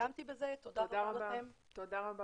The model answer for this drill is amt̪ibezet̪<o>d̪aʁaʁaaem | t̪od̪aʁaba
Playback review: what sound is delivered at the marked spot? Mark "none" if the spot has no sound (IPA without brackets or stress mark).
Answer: o